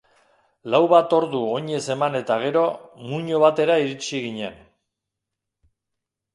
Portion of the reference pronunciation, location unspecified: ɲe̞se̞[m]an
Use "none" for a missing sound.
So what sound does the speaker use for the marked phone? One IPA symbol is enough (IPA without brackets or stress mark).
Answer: m